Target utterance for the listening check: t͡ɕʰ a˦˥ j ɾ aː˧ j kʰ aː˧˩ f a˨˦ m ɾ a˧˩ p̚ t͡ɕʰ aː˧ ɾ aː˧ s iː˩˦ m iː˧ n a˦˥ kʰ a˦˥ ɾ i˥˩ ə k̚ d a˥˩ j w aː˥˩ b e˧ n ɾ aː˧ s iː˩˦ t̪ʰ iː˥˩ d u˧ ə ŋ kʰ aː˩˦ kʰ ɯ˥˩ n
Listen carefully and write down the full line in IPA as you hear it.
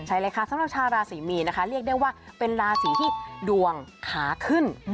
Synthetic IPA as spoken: t͡ɕʰ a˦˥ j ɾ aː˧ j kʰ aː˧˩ s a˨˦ m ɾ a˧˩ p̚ t͡ɕʰ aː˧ ɾ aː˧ s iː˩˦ m iː˧ n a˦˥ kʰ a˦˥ ɾ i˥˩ ə k̚ d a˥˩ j w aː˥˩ p e˧ n ɾ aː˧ s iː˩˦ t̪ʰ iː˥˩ d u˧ ə ŋ kʰ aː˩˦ kʰ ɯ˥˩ n